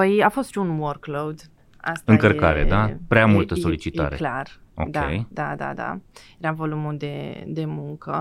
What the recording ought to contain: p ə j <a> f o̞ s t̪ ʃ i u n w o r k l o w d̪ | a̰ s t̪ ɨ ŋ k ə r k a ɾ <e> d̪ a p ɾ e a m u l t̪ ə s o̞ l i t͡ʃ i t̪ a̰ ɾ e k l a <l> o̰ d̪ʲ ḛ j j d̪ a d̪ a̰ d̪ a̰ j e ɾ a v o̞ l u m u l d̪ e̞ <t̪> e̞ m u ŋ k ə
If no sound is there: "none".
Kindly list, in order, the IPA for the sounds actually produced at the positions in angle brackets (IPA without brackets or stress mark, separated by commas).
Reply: a, e, r, d̪